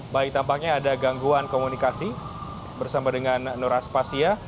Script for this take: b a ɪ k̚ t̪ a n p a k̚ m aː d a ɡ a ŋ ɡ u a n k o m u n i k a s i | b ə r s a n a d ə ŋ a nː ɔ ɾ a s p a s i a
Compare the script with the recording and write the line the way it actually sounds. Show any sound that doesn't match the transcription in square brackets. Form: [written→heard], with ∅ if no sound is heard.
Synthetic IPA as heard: b a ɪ k̚ t̪ a [n→m] p a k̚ [m→ɲ] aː d a ɡ a ŋ ɡ u a n k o m u n i k a s i | b ə r s a [n→m] a d ə ŋ a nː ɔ ɾ a s p a s i a